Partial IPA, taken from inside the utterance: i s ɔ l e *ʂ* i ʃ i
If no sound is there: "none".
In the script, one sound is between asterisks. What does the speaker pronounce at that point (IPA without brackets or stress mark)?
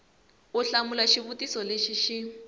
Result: ʃ